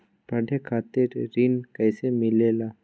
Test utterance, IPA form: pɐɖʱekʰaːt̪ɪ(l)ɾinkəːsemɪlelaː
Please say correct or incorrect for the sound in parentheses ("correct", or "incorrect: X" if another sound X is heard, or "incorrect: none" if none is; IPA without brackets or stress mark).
incorrect: ɾ